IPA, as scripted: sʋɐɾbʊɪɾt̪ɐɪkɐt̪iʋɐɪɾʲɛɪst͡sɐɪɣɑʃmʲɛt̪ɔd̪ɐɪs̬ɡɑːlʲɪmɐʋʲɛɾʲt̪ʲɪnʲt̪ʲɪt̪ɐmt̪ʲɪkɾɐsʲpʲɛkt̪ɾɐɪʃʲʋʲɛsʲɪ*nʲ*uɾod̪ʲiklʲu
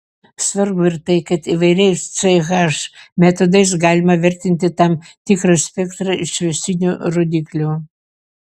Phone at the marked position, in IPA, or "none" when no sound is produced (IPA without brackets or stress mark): nʲ